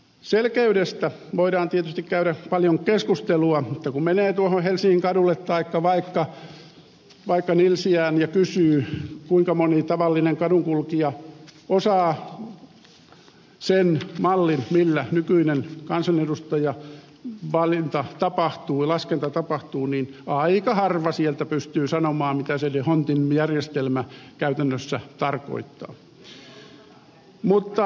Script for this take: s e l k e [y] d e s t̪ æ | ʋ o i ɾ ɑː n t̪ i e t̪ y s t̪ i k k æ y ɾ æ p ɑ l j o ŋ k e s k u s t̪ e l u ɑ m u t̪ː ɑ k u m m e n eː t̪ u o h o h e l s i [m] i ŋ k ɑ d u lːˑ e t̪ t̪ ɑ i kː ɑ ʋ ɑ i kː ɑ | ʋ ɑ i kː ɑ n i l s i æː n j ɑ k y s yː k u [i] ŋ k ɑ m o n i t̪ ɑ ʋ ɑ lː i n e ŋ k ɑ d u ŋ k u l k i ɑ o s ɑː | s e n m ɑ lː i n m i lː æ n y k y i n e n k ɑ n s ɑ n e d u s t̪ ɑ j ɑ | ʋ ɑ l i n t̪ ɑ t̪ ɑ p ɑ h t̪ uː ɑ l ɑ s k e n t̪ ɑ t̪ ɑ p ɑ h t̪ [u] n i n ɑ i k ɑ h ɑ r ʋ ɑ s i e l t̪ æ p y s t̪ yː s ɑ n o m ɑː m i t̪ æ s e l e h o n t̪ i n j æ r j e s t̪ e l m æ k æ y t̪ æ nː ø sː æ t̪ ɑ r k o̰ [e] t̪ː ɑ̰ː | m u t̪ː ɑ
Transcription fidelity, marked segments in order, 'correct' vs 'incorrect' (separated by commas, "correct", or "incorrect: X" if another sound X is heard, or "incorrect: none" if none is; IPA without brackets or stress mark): correct, incorrect: ŋ, correct, incorrect: uː, incorrect: i